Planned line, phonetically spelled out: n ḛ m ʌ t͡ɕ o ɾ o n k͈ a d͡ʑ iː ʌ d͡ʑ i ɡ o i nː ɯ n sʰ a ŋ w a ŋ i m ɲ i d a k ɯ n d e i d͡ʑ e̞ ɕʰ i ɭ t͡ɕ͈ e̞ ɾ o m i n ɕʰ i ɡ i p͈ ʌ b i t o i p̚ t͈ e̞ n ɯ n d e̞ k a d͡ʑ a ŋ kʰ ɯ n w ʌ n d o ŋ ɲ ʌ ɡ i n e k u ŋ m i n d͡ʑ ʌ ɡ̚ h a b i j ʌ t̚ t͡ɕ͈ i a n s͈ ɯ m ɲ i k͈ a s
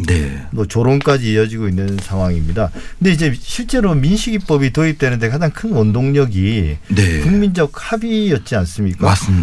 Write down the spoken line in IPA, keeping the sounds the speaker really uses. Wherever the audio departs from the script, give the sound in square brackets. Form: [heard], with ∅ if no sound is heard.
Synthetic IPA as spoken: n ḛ m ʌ t͡ɕ o ɾ o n k͈ a d͡ʑ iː ʌ d͡ʑ i ɡ o i nː ɯ n sʰ a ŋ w a ŋ i m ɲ i d a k ɯ n d e i d͡ʑ e̞ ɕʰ i ɭ t͡ɕ͈ e̞ ɾ o m i n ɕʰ i ɡ i p͈ ʌ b i t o i p̚ t͈ e̞ n ɯ n d e̞ k a d͡ʑ a ŋ kʰ ɯ n w ʌ n d o ŋ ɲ ʌ ɡ i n e k u ŋ m i n d͡ʑ ʌ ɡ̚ h a b i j ʌ t̚ t͡ɕ͈ i a n s͈ ɯ m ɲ i k͈ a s